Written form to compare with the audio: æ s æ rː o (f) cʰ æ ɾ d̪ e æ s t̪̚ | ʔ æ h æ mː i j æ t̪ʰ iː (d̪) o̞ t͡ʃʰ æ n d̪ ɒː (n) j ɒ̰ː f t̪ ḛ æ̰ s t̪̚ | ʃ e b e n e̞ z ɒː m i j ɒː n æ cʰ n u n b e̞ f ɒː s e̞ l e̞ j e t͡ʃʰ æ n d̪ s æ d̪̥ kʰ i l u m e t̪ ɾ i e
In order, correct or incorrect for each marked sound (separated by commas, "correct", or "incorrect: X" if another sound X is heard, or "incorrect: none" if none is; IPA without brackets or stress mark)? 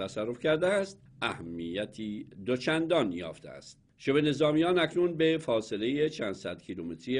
correct, correct, correct